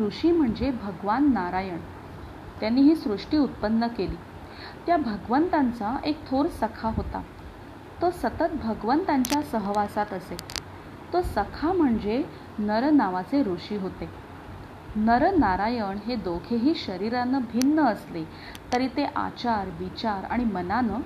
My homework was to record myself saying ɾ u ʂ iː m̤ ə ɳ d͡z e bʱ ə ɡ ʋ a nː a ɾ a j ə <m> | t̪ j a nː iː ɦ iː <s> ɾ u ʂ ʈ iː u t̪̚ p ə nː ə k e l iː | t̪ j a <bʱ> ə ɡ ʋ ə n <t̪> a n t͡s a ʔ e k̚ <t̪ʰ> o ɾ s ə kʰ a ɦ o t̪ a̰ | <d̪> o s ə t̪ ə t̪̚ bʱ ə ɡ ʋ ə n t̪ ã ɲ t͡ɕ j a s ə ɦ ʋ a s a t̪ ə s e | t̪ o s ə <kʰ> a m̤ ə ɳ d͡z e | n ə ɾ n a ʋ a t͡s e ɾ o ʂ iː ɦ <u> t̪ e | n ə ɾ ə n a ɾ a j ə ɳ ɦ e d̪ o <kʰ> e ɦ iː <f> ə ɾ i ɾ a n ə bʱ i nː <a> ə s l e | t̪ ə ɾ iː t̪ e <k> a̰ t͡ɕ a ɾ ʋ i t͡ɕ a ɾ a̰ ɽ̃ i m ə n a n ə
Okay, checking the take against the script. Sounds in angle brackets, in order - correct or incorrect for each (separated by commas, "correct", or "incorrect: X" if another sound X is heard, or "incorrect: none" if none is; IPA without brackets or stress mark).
incorrect: ɳ, correct, correct, correct, correct, incorrect: t̪, correct, incorrect: o, correct, incorrect: ɕ, incorrect: ə, incorrect: ʔ